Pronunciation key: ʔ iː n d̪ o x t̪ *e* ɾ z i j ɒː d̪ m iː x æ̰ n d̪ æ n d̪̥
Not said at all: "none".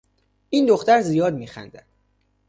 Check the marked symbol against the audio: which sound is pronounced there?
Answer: æ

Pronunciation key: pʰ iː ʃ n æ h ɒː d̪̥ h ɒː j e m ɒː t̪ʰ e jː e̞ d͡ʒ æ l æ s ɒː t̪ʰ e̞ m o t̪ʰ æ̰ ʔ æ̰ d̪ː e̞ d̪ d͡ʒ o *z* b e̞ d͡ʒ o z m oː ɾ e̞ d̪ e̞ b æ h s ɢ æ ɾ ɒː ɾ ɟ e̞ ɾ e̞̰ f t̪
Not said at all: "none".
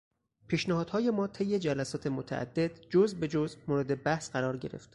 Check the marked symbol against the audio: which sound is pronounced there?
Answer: z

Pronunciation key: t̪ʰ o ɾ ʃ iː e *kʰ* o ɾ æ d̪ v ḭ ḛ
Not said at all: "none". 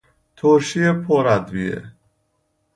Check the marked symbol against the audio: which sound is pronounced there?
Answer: pʰ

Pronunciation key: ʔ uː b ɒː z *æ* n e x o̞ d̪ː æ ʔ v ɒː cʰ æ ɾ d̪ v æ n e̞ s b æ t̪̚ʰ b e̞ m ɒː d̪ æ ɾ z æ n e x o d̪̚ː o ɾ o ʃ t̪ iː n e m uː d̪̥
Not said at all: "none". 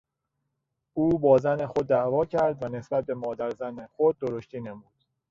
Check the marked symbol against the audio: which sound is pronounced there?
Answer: æ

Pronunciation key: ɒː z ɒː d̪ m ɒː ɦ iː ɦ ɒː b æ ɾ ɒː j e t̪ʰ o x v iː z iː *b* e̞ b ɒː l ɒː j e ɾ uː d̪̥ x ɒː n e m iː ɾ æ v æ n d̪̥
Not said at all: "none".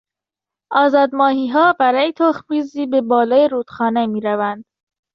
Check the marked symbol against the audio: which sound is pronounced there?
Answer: b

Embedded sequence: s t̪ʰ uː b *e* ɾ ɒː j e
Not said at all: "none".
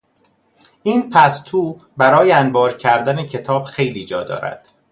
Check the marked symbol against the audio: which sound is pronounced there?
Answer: æ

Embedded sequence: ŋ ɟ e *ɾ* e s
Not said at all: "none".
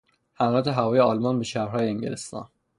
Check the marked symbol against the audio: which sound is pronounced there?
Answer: l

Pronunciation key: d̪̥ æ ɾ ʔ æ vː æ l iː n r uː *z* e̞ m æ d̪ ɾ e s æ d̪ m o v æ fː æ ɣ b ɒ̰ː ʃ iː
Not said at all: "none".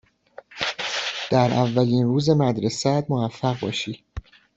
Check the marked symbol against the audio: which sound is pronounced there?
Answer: z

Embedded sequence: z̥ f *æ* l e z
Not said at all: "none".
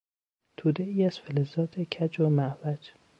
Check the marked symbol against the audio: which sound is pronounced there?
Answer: e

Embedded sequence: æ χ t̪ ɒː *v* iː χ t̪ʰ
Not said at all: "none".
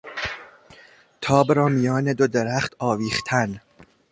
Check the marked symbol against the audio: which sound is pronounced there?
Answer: v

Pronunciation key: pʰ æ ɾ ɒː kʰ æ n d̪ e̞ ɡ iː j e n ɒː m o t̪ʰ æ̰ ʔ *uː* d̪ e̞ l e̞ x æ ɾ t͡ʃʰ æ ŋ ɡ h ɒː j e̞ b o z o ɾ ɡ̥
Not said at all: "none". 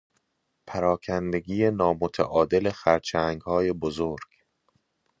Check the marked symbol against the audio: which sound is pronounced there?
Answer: ɒː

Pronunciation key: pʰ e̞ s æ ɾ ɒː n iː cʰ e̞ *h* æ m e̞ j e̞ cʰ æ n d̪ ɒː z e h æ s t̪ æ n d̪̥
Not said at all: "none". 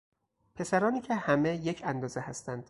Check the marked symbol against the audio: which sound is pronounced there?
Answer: h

